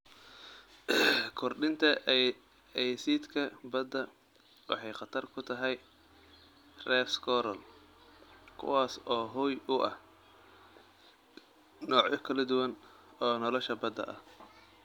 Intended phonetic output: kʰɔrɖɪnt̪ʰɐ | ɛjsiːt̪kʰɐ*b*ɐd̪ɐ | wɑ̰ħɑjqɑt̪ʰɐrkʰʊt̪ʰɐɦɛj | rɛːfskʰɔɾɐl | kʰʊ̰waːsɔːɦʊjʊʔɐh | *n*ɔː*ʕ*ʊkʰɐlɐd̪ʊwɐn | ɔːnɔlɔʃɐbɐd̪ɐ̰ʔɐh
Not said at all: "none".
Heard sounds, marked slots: b, n, ʕ

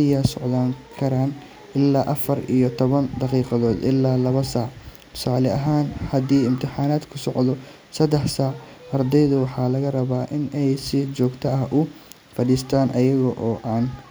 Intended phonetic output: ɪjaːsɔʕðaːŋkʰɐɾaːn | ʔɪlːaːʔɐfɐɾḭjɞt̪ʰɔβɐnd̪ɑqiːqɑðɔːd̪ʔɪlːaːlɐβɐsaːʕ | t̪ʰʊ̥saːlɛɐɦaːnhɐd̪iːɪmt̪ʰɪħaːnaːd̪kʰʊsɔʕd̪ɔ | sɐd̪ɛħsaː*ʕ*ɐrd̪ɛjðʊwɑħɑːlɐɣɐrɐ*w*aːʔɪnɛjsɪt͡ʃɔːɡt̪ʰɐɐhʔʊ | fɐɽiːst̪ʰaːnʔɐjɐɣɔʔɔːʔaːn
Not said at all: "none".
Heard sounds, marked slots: ʕ, β

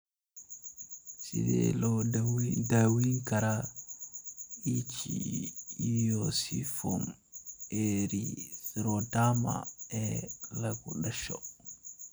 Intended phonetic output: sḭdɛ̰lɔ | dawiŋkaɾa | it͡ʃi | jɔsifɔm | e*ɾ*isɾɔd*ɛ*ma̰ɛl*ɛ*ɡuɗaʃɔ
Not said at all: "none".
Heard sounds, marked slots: ɾ, a, a

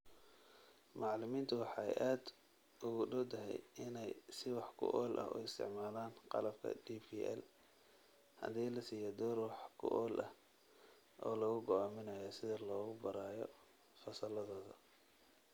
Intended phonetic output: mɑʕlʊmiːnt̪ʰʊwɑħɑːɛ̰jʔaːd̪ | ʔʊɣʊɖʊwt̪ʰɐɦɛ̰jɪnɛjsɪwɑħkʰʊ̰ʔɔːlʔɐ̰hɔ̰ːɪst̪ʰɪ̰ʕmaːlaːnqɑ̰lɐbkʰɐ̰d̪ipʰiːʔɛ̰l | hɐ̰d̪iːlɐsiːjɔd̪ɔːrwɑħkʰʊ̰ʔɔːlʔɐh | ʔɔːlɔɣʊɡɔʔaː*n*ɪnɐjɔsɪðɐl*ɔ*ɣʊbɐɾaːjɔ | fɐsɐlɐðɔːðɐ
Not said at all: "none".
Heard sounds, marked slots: m, ɔː

